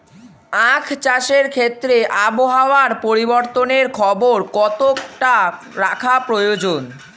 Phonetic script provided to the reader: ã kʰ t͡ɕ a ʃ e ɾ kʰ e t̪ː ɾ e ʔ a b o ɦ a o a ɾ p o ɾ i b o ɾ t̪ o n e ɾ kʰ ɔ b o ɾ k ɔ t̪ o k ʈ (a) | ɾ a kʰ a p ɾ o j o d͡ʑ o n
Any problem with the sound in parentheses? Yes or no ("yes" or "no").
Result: no